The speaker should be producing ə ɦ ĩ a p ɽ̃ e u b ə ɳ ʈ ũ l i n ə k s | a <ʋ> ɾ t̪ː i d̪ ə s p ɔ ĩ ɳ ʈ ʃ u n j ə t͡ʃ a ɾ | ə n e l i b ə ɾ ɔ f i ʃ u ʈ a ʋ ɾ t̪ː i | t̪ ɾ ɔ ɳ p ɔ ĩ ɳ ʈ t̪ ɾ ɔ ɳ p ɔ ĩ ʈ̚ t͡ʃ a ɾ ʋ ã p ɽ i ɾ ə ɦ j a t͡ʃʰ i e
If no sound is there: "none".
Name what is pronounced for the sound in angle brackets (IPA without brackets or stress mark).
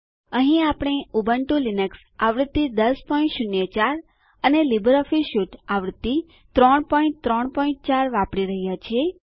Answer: ʋ